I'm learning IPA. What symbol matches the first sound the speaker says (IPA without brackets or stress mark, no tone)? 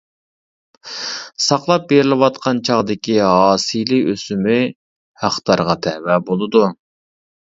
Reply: s